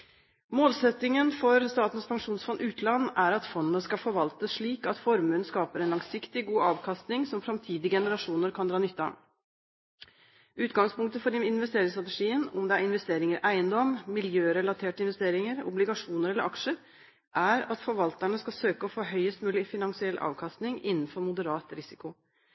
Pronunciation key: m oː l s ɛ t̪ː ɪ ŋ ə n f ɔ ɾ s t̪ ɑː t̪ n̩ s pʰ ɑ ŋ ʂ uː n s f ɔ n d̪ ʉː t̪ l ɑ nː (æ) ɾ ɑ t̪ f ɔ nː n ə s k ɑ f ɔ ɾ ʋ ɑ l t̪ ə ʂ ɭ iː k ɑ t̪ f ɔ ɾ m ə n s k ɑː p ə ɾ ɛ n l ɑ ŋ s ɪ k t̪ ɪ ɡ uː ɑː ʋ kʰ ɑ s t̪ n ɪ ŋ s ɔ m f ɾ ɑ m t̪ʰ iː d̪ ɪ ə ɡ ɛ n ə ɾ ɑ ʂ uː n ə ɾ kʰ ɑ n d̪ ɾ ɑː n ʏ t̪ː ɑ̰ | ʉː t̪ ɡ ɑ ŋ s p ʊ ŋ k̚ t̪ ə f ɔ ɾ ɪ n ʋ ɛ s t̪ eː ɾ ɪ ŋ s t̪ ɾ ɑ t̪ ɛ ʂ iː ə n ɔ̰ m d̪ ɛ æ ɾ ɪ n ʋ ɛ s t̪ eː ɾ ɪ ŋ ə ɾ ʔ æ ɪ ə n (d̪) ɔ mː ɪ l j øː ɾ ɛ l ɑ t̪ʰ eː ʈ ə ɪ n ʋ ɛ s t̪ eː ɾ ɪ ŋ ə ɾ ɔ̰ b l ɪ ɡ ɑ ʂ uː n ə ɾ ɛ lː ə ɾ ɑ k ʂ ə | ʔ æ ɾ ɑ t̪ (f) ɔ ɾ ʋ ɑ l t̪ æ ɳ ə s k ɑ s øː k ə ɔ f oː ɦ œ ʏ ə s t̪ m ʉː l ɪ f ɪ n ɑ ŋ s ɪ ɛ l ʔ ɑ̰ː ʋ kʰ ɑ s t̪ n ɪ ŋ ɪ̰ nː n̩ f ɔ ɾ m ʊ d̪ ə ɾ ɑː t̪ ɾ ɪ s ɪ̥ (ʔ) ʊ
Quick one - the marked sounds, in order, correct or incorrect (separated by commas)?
correct, correct, correct, incorrect